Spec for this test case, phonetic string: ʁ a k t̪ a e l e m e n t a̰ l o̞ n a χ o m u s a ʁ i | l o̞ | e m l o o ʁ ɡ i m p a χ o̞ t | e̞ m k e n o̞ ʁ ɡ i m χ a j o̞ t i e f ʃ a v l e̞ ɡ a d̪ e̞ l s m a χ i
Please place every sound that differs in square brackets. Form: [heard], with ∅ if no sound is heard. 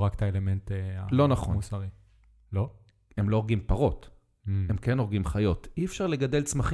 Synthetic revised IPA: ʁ a k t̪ a e l e m e n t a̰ l o̞ n a χ o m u s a ʁ i | l o̞ | e m l o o ʁ ɡ i m p a [ʁ] o̞ t | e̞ m k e n o̞ ʁ ɡ i m χ a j o̞ t i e f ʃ a [ʁ] l e̞ ɡ a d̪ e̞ l [t͡s] m a χ i